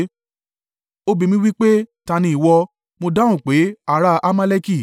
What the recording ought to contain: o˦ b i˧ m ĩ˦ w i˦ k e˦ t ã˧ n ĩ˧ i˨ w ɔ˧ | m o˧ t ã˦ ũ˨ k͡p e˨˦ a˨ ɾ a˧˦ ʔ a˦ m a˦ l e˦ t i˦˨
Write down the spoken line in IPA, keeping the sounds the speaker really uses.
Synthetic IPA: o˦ b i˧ m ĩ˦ w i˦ k͡p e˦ t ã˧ n ĩ˧ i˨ w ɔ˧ | m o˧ d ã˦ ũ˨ k͡p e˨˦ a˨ ɾ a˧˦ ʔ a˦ m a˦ l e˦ k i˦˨